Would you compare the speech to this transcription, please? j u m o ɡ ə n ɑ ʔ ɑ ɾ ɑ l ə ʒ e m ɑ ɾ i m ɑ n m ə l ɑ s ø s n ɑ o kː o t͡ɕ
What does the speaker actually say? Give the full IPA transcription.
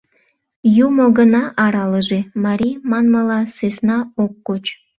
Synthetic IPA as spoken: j u m o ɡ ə n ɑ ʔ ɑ ɾ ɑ l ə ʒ e m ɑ ɾ i m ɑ n m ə l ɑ s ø s n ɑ o kː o t͡ɕ